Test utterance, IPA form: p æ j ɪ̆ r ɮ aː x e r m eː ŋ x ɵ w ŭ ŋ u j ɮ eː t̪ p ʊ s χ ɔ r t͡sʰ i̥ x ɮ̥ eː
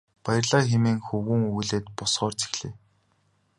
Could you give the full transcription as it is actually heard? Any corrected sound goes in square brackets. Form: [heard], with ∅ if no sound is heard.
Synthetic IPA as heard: p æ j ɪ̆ r ɮ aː x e [∅] m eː ŋ x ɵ w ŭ ŋ u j ɮ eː t̪ p ʊ s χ [ɔː] r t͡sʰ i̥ x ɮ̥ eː